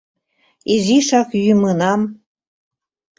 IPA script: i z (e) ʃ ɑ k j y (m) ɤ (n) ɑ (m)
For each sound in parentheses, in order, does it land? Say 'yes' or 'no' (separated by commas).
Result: no, yes, yes, yes